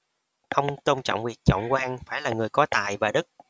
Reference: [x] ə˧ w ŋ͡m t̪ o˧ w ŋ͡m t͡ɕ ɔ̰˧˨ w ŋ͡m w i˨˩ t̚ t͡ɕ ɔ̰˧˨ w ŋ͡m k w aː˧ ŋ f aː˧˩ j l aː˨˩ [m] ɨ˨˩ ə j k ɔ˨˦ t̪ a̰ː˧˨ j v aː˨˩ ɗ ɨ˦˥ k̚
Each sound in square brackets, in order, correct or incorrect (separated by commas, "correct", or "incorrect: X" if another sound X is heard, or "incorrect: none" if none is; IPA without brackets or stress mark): correct, incorrect: ŋ